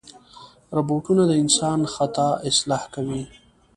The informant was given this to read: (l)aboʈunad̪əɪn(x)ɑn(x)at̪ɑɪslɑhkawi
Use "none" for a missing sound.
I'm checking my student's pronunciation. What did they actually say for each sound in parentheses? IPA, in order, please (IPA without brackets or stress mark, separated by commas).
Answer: ɾ, s, x